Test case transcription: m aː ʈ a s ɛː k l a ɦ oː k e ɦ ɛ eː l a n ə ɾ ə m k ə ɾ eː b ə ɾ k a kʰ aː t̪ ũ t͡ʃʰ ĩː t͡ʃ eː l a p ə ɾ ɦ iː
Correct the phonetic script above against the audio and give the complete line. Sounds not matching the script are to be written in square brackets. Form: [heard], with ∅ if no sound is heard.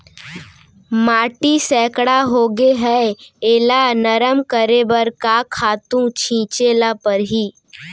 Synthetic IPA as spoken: m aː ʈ [i] s ɛː k [ɽ] a ɦ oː [ɡ] e ɦ ɛ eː l a n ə ɾ ə m k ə ɾ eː b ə ɾ k a kʰ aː t̪ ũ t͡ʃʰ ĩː t͡ʃ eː l a p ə ɾ ɦ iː